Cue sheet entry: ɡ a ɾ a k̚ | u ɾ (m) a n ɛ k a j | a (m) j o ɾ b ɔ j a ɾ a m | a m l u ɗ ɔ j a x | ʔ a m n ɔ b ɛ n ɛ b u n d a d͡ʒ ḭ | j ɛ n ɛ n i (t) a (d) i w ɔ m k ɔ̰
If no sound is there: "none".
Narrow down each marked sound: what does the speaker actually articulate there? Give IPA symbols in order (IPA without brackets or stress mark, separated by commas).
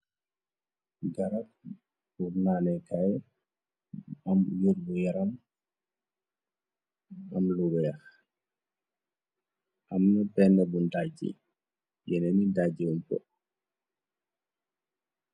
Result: n, m, d, d͡ʒ